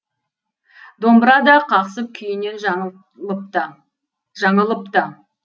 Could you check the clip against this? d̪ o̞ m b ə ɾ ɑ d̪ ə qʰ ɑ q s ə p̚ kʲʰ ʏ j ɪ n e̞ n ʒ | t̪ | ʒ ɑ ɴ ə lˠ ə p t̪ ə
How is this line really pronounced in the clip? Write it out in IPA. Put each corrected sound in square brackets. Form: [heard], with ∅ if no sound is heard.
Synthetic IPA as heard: d̪ o̞ m b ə ɾ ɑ d̪ [ɑ] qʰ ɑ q s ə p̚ kʲʰ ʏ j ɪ n e̞ n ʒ | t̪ | ʒ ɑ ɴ ə lˠ ə p t̪ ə